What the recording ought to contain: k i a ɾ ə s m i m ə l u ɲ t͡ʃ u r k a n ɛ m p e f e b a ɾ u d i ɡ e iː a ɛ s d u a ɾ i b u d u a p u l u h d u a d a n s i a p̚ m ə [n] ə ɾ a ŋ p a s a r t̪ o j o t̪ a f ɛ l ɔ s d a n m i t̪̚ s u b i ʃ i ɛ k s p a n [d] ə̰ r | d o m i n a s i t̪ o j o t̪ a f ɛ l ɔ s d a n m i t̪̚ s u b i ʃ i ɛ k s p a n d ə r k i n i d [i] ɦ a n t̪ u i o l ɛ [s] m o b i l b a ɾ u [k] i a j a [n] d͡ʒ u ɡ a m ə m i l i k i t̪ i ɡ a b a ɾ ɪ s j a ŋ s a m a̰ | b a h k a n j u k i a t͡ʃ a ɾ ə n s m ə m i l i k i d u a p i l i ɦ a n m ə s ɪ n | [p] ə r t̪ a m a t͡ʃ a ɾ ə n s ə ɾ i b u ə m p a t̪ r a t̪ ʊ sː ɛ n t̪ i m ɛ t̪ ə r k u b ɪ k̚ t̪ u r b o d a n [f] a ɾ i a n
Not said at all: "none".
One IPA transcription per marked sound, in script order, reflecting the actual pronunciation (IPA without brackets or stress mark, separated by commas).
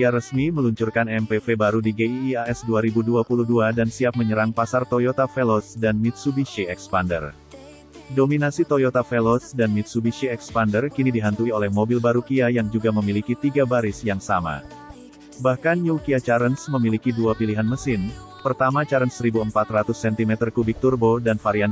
ɲ, d, i, h, k, ŋ, p, f